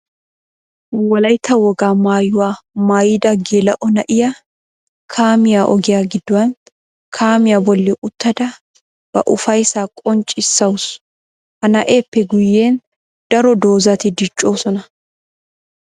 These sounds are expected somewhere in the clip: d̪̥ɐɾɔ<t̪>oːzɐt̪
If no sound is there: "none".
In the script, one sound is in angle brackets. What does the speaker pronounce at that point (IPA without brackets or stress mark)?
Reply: d̪